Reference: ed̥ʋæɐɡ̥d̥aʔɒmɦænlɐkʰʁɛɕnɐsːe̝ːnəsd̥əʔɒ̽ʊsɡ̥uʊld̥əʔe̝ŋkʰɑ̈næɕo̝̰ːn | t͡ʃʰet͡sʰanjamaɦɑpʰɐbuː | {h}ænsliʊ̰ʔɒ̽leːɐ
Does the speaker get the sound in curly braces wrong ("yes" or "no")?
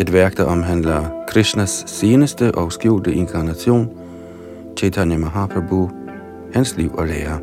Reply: no